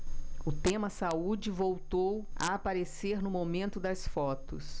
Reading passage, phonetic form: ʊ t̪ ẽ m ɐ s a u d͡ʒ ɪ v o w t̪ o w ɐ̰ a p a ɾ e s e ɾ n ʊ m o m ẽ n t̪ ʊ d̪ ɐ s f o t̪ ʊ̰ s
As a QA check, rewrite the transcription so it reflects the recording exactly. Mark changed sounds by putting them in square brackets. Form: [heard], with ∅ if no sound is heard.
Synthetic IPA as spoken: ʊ t̪ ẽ m ɐ s a u d͡ʒ ɪ v o w t̪ o w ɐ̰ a p a ɾ e s e ɾ n ʊ m o m ẽ n t̪ ʊ d̪ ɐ s f [ɔ] t̪ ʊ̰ s